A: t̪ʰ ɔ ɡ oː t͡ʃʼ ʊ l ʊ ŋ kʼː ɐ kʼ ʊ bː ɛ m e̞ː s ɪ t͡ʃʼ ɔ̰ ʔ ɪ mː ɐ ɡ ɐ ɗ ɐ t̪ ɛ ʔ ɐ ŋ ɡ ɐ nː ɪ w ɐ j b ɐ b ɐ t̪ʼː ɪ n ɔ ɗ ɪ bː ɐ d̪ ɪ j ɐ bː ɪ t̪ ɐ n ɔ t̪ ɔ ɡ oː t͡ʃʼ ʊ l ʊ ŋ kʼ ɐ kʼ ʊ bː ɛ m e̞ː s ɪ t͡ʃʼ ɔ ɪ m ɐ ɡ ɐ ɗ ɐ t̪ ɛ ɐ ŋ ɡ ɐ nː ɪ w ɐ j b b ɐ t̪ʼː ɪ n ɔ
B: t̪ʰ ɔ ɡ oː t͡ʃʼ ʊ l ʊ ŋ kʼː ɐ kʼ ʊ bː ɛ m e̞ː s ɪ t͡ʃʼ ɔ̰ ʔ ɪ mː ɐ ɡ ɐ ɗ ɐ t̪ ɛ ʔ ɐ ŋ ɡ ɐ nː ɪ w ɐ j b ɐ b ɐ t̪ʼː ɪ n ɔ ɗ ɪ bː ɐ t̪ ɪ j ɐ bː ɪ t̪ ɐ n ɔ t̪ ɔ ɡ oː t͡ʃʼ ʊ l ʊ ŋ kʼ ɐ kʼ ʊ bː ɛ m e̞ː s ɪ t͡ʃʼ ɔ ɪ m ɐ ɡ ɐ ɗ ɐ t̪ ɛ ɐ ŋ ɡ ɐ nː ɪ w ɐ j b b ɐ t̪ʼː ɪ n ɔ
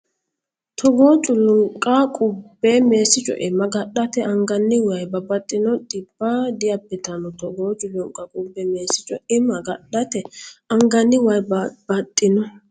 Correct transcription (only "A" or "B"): A